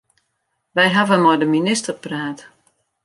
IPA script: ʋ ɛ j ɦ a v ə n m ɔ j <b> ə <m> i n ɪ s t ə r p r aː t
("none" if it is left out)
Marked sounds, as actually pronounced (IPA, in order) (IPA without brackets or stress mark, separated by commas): d, m